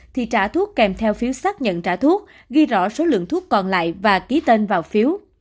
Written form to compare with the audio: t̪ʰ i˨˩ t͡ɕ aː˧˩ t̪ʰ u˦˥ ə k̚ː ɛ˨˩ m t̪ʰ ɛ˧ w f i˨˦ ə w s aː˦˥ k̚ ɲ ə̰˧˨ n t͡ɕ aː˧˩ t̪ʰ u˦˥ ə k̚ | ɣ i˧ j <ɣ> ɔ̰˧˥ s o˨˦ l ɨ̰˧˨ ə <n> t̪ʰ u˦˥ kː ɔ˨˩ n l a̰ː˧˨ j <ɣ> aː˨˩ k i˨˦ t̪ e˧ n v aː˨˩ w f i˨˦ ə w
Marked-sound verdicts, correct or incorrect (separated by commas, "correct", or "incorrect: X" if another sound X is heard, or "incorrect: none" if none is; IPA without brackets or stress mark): incorrect: z, incorrect: ŋ, incorrect: v